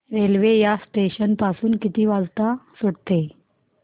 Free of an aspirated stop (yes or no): yes